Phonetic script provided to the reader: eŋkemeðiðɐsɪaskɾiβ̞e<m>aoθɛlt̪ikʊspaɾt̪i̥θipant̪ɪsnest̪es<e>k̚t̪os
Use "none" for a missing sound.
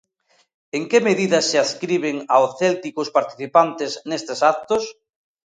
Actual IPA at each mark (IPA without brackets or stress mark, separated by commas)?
ŋ, a